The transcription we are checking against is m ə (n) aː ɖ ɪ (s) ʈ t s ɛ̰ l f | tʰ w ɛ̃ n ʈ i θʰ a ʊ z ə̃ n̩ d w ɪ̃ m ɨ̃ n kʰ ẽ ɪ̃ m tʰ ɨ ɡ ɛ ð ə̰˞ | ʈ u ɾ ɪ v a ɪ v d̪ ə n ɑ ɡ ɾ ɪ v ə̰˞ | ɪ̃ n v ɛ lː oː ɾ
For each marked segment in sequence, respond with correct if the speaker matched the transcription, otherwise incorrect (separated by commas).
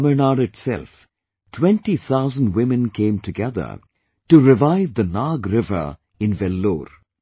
correct, incorrect